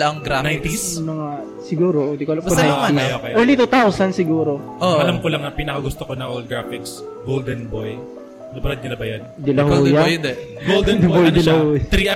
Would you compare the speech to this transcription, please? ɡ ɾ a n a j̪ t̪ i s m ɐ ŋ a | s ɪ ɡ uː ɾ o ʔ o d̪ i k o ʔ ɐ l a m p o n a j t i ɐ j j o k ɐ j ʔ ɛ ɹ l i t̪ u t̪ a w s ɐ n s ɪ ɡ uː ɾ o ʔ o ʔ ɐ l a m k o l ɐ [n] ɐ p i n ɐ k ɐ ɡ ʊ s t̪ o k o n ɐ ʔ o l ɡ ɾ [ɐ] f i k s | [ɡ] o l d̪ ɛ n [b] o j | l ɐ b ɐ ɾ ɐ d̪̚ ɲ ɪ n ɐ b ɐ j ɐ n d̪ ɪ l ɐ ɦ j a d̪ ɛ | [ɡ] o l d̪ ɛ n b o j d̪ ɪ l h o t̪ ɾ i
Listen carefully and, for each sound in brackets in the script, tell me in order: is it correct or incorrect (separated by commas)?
incorrect, incorrect, correct, correct, correct